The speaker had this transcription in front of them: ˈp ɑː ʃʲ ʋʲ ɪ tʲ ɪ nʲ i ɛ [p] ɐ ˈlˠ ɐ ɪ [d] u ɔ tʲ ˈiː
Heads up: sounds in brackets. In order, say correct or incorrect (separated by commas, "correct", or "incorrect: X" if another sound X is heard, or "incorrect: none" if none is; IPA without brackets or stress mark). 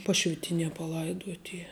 correct, correct